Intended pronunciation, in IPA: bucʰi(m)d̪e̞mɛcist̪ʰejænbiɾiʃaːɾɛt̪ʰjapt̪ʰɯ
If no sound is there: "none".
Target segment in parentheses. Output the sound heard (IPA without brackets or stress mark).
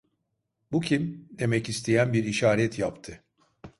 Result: m